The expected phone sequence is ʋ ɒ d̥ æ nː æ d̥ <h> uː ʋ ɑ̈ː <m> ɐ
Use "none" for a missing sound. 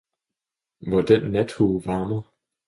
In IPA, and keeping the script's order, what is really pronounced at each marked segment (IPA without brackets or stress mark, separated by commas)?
h, m